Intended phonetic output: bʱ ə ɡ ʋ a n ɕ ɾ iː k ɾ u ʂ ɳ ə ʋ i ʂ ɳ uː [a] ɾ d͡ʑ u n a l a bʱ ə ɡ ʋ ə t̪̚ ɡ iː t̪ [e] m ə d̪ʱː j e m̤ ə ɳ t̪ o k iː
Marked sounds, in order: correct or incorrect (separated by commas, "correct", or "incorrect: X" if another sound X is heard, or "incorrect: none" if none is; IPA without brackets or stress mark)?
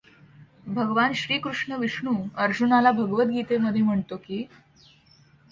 incorrect: ə, correct